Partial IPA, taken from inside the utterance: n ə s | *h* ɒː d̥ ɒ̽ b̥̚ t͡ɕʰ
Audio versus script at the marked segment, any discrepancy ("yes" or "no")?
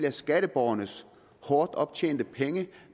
no